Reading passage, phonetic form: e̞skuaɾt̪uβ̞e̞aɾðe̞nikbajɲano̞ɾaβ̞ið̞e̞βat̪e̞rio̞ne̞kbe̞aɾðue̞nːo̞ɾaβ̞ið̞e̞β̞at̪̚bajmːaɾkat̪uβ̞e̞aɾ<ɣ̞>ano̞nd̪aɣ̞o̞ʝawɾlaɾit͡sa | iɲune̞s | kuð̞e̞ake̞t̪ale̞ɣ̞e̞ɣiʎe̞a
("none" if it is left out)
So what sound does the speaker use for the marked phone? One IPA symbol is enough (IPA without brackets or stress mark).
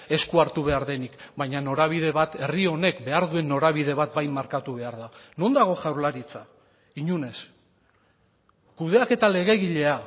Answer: ð̞